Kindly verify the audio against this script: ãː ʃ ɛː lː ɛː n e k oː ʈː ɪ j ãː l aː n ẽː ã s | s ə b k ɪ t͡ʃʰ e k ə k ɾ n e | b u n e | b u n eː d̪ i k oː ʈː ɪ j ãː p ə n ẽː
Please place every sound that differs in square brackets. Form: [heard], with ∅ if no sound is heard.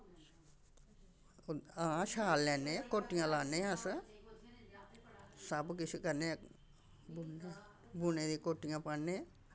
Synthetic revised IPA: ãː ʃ [aː] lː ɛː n e k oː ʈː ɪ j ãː l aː n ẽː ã s | s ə b k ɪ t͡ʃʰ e k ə [∅] ɾ n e | b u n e | b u n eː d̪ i k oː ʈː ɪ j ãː p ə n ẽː